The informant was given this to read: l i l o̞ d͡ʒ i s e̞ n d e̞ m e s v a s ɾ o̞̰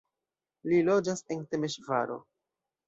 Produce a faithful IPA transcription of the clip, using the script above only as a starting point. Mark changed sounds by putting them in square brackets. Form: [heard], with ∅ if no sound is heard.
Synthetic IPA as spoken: l i l o̞ d͡ʒ [a] s e̞ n [t] e̞ m e [ʃ] v a [∅] ɾ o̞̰